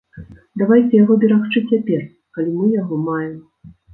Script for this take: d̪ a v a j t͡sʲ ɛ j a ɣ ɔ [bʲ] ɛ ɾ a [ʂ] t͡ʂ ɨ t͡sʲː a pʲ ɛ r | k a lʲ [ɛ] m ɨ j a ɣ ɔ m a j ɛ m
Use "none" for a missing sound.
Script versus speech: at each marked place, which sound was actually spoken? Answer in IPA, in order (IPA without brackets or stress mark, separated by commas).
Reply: bʲ, x, i